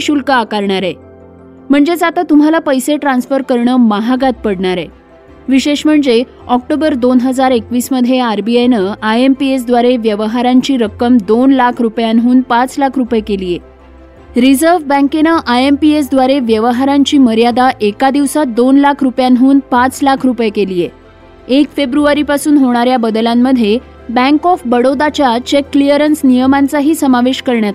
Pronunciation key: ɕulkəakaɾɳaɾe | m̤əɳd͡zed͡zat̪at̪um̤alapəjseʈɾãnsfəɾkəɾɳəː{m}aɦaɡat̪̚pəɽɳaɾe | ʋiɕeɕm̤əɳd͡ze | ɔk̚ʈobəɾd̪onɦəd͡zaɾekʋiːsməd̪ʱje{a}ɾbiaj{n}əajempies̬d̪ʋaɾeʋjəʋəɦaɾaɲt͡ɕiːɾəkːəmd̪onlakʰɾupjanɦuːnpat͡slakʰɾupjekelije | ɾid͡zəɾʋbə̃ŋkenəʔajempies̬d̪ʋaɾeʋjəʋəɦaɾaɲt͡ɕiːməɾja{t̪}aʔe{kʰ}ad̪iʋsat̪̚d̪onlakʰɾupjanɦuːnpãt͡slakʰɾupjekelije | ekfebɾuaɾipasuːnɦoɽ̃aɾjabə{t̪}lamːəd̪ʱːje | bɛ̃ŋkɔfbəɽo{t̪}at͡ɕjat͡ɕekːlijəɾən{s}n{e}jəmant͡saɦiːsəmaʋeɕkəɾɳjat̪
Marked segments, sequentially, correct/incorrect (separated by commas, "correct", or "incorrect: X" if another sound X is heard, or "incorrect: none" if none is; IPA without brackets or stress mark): correct, correct, correct, incorrect: d̪, incorrect: k, incorrect: d̪, incorrect: d̪, correct, incorrect: i